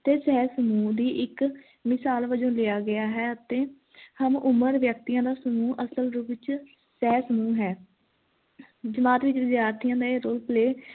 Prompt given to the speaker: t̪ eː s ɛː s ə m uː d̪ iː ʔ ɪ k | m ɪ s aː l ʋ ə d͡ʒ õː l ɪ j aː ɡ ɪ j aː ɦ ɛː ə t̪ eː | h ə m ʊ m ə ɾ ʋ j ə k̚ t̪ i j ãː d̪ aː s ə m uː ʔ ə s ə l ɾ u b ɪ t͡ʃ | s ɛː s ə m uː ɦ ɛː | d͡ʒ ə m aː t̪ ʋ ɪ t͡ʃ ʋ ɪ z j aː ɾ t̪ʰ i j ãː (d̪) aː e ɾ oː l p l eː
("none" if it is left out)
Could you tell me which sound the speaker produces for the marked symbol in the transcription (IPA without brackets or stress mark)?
d̪